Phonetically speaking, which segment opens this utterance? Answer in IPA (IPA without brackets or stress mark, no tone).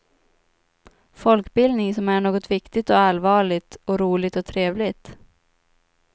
f